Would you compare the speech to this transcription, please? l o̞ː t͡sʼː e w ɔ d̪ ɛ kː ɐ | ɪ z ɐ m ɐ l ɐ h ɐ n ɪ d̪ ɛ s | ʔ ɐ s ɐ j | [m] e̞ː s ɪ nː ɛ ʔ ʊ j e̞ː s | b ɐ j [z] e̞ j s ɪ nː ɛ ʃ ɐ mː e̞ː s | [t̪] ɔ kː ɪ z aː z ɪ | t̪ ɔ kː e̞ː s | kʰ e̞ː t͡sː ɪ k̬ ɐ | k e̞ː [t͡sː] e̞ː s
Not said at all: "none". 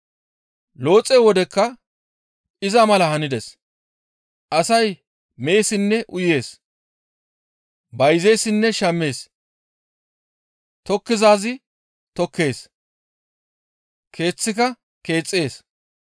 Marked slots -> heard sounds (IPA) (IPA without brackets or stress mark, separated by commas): m, z, t̪, t͡sʼː